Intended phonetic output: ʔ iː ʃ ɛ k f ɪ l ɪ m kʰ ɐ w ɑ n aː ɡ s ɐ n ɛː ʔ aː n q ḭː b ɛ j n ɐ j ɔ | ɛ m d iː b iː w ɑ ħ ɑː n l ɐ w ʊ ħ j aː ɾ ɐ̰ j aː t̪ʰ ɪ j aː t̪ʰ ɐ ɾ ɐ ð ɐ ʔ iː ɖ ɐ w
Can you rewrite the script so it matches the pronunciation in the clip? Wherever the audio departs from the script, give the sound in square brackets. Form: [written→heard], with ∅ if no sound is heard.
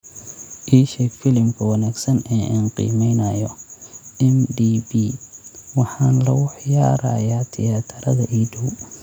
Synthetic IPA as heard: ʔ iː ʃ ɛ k f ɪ l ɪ m kʰ ɐ w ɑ n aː ɡ s ɐ n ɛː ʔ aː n q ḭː [b→m] ɛ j n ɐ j ɔ | ɛ m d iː b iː w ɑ ħ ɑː n l ɐ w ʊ ħ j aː ɾ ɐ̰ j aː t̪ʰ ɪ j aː t̪ʰ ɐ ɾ ɐ ð ɐ ʔ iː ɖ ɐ w